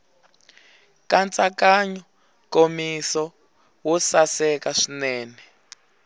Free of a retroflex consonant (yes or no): no